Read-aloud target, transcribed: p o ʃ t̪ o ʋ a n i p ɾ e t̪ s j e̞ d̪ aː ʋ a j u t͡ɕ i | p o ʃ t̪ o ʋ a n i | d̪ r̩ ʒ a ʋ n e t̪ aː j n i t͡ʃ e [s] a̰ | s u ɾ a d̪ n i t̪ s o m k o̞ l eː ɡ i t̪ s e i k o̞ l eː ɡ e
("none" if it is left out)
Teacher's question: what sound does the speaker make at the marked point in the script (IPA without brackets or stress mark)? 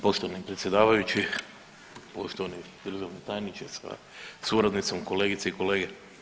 s